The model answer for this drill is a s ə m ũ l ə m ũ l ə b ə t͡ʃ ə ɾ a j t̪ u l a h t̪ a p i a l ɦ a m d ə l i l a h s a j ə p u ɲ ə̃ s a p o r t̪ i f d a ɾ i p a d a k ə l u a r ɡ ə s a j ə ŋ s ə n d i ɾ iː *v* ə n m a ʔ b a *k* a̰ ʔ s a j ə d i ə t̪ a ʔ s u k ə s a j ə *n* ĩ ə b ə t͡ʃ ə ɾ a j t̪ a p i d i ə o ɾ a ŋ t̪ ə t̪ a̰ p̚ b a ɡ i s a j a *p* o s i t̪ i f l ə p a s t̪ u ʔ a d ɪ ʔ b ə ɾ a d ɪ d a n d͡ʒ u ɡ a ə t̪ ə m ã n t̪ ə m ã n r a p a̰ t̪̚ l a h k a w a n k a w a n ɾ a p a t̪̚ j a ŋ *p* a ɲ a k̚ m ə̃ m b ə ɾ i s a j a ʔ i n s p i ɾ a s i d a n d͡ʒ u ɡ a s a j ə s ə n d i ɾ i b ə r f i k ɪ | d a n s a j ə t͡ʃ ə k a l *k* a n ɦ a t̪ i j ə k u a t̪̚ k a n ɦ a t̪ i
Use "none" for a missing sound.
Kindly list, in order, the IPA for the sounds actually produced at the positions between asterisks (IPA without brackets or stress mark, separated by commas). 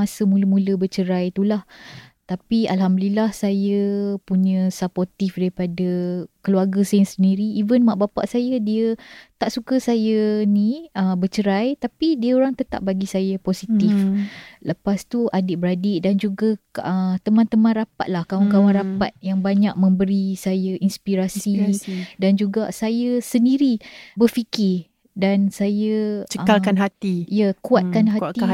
v, p, n, p, b, k